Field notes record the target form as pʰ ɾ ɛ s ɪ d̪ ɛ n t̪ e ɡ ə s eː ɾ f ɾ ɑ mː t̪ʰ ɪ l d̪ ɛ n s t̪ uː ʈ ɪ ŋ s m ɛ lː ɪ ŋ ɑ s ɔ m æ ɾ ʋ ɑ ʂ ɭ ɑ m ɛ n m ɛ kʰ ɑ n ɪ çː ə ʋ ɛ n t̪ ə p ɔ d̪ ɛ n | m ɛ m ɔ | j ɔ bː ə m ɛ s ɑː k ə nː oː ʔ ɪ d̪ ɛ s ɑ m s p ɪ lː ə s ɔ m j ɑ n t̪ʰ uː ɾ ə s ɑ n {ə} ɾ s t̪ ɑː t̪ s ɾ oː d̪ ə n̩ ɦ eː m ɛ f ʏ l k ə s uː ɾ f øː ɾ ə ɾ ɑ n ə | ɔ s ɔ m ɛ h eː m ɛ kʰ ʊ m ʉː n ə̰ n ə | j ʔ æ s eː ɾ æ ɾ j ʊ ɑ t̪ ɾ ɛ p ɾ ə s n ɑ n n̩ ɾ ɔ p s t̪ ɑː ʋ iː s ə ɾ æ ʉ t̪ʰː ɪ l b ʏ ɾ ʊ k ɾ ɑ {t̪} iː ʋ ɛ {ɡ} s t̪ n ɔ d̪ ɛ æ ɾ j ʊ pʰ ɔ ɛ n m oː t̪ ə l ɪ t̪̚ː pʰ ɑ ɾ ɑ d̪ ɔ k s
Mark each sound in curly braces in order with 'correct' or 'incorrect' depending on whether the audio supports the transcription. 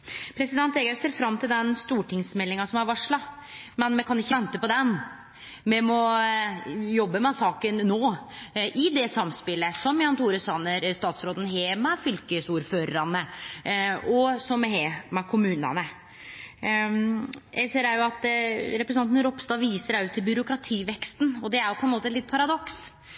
correct, incorrect, incorrect

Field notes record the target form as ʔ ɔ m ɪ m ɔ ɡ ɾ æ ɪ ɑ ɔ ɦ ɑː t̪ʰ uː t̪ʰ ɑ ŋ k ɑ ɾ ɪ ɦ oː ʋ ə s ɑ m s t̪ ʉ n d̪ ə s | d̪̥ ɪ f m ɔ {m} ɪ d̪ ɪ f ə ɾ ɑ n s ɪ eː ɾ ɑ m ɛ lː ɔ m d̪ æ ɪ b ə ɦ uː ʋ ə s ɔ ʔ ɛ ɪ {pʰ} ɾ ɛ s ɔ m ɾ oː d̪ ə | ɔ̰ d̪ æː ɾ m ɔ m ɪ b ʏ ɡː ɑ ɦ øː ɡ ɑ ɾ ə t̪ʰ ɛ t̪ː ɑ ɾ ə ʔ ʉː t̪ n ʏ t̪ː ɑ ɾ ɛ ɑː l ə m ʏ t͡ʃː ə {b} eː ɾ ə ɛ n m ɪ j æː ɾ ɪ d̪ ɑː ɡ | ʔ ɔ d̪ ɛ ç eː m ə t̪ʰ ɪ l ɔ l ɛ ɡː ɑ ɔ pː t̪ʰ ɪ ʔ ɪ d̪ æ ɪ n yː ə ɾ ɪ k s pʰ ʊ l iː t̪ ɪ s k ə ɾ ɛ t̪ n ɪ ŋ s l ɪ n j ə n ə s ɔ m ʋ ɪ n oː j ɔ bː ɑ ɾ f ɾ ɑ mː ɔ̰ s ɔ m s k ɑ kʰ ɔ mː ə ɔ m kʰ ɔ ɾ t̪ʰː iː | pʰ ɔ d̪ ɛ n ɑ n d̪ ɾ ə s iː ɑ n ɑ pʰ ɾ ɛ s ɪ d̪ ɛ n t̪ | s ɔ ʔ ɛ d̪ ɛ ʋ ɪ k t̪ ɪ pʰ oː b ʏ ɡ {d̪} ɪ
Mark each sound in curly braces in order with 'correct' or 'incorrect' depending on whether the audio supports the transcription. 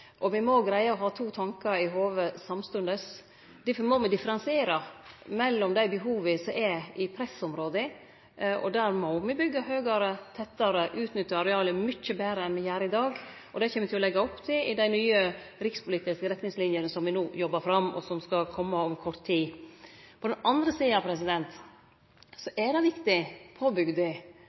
correct, correct, correct, correct

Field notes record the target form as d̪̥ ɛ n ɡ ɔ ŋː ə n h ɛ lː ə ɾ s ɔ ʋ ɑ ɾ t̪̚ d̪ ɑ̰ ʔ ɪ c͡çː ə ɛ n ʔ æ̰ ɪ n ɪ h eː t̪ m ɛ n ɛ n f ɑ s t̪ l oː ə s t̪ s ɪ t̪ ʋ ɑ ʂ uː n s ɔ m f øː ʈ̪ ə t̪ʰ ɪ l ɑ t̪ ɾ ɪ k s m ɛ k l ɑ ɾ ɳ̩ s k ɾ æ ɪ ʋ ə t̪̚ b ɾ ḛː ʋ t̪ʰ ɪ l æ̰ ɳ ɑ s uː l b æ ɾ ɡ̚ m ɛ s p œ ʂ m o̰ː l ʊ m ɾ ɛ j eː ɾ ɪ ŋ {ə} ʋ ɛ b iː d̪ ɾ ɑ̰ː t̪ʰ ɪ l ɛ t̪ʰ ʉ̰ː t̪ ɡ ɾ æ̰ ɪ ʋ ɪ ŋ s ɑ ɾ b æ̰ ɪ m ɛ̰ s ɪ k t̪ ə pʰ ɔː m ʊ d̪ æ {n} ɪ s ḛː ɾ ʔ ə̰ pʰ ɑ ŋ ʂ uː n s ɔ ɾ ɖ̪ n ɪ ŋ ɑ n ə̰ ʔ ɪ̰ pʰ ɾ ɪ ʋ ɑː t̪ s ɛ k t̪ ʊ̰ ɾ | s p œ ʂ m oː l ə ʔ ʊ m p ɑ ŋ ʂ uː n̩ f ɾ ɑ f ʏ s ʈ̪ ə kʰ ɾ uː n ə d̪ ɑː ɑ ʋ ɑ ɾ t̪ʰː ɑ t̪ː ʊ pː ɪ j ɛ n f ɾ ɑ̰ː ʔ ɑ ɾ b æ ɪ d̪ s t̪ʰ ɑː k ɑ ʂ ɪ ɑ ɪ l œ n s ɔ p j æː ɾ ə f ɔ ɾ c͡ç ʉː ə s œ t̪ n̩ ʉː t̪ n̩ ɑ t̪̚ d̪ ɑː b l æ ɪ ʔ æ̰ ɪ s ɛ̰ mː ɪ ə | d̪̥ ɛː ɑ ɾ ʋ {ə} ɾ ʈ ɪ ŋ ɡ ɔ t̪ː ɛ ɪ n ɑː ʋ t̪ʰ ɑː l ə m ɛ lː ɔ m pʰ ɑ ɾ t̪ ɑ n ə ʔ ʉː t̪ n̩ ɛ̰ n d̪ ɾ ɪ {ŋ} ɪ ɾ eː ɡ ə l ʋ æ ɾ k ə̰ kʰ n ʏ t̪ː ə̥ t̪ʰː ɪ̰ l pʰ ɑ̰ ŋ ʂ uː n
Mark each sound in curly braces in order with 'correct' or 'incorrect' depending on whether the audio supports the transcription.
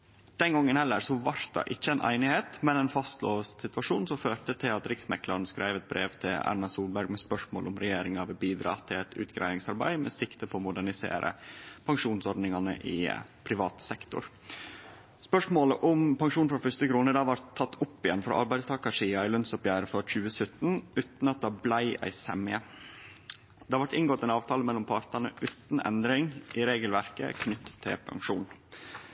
incorrect, incorrect, incorrect, correct

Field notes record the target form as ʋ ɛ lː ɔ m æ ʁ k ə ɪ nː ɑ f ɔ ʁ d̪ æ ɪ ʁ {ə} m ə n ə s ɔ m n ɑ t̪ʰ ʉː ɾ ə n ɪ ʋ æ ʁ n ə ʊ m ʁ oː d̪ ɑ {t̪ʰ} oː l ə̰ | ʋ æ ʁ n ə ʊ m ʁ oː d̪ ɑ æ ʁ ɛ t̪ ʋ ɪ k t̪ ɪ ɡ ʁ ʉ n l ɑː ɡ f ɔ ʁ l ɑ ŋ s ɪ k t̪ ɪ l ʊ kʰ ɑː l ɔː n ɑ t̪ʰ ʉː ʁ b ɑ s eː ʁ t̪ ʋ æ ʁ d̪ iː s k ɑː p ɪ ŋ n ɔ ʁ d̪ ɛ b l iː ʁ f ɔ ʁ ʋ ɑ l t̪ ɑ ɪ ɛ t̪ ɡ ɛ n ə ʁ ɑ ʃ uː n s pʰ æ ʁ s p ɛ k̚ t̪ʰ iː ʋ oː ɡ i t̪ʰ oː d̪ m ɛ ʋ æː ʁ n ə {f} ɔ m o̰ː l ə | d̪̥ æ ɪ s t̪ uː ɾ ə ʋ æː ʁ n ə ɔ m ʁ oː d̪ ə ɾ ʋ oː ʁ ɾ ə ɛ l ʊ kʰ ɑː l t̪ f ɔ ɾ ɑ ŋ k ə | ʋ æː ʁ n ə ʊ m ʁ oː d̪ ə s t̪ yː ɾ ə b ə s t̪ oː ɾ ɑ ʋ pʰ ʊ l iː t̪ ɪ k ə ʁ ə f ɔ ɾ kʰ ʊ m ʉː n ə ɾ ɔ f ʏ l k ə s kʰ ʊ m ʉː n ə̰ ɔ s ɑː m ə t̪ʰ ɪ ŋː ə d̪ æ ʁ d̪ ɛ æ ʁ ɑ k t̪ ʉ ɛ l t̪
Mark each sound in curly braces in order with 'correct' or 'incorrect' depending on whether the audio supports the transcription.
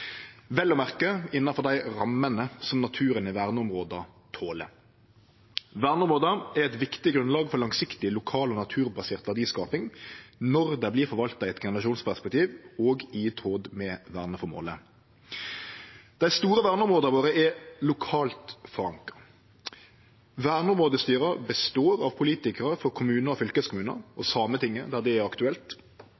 incorrect, correct, correct

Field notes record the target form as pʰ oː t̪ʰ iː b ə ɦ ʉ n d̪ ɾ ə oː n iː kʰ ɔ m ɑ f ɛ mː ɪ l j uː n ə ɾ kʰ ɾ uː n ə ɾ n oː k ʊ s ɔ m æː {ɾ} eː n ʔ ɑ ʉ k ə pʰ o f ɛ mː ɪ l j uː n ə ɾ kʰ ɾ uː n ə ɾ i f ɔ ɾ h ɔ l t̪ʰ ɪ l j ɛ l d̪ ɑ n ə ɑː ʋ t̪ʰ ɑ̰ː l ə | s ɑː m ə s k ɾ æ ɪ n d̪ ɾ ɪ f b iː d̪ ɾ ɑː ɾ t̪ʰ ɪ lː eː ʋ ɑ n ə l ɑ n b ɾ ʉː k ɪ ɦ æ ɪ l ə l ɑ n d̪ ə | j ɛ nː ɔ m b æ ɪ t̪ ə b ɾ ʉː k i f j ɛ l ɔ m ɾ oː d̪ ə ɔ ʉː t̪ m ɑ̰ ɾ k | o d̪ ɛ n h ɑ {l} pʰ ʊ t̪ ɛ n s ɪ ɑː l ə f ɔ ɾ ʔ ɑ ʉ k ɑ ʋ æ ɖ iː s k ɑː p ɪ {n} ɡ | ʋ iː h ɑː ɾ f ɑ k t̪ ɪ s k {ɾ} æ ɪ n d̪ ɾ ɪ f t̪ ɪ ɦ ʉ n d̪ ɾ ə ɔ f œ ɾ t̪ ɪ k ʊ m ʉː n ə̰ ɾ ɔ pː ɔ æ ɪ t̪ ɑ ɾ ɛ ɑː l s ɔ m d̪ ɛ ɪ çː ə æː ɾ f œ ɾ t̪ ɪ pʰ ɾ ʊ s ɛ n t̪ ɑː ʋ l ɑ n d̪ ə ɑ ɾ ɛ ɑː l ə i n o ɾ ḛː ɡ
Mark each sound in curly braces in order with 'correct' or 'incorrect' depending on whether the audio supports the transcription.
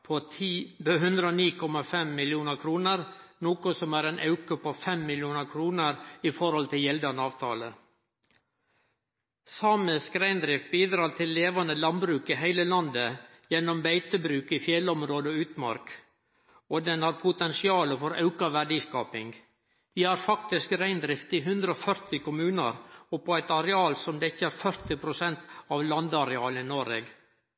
correct, incorrect, incorrect, correct

